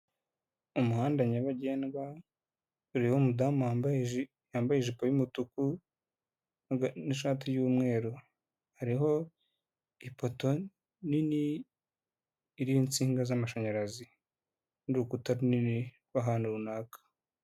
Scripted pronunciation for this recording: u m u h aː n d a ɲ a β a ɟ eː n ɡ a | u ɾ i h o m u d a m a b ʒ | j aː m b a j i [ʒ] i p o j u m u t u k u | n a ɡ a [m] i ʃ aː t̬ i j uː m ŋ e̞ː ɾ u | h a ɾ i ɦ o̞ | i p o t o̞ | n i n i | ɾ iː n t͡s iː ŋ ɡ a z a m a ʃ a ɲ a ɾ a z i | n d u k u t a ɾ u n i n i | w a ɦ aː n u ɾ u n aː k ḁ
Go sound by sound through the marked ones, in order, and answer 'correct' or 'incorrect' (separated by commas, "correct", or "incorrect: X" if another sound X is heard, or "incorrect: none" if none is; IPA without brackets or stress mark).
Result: correct, incorrect: n